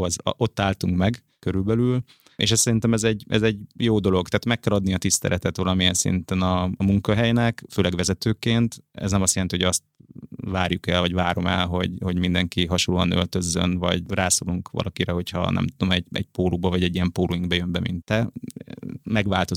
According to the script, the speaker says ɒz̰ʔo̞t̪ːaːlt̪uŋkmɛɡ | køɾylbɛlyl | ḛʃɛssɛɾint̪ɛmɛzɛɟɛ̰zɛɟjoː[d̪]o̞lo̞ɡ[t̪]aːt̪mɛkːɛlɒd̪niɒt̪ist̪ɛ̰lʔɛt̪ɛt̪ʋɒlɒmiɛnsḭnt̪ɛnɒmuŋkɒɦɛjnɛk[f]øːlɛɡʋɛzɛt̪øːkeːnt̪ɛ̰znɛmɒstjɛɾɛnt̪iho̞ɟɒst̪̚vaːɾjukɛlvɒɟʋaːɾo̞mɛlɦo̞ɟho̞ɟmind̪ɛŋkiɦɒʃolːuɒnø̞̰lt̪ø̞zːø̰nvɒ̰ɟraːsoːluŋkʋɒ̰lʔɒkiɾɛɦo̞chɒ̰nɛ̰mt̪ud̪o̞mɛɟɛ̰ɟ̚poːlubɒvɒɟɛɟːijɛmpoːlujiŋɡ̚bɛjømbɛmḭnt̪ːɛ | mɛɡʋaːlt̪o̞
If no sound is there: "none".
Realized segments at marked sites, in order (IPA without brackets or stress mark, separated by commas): d̪, t̪, f